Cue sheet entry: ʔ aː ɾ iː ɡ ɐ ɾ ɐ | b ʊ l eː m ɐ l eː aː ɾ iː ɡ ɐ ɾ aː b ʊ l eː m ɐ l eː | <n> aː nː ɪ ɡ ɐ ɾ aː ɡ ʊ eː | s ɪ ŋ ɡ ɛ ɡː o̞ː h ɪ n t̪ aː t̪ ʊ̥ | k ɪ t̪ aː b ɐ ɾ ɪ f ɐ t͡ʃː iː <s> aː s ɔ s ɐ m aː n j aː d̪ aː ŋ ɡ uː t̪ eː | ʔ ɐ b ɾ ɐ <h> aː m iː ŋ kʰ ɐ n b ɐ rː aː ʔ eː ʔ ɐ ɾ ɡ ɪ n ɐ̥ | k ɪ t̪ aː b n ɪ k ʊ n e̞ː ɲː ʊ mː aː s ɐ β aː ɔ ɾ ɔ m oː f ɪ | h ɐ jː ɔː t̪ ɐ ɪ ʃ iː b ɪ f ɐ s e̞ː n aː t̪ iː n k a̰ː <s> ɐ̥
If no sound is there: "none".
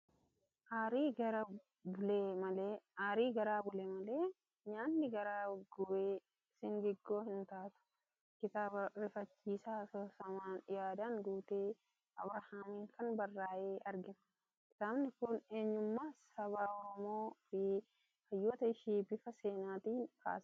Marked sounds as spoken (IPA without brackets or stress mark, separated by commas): ɲ, s, h, s